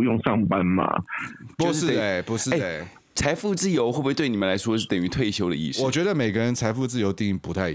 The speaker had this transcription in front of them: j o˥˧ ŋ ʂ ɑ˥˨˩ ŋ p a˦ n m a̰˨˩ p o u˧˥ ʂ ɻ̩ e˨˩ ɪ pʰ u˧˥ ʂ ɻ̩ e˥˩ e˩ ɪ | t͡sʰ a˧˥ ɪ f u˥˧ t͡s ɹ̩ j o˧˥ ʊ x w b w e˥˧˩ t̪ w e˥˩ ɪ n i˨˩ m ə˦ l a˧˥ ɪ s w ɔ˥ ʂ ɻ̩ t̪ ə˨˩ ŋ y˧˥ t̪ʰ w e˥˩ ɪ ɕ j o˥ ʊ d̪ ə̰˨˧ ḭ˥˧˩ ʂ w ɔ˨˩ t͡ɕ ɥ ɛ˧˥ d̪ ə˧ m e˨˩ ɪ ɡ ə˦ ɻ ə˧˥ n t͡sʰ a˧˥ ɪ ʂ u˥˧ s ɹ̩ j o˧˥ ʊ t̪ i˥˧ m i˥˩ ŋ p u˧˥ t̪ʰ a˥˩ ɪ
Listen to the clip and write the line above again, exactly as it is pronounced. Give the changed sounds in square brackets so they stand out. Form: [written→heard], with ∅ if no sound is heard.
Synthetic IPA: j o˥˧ ŋ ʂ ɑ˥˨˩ ŋ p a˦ n m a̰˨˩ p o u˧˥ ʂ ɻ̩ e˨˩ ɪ [pʰ→p] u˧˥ ʂ ɻ̩ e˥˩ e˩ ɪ | t͡sʰ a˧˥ ɪ f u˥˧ t͡s ɹ̩ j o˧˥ ʊ x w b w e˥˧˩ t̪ w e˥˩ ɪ n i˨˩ m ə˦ l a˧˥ ɪ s w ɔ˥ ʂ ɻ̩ t̪ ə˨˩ ŋ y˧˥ t̪ʰ w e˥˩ ɪ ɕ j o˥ ʊ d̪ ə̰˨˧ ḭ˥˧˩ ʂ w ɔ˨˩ t͡ɕ ɥ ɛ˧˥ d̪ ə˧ m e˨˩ ɪ ɡ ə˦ ɻ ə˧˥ n t͡sʰ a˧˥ ɪ [ʂ→f] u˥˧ [s→t͡s] ɹ̩ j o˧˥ ʊ t̪ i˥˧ [m→ŋ] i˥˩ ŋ p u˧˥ t̪ʰ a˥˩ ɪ